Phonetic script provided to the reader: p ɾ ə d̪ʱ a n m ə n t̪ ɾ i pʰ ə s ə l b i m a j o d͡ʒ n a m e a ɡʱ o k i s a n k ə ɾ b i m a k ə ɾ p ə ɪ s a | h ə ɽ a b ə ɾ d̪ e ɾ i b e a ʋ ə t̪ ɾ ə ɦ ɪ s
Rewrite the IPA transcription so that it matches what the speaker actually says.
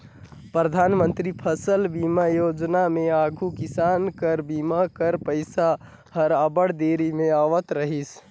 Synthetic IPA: p ɾ ə d̪ʱ a n m ə n t̪ ɾ i pʰ ə s ə l b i m a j o d͡ʒ n a m e a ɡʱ u k i s a n k ə ɾ b i m a k ə ɾ p ə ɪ s a | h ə ɾ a b ə ɽ d̪ e ɾ i m e a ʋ ə t̪ ɾ ə ɦ i s